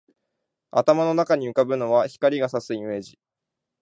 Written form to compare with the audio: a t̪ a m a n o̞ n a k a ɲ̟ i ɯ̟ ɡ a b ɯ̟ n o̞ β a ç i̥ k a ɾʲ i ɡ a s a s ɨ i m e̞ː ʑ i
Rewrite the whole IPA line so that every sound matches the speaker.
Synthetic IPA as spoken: a t̪ a m a n o̞ n a k a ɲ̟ i ɯ̟ k a b ɯ̟ n o̞ β a ç i̥ k a ɾʲ i ɡ a s a s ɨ i m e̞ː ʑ i